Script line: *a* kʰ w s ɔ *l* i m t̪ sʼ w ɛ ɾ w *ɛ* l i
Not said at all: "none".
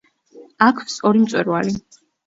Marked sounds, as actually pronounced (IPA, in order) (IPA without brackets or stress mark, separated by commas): a, ɾ, a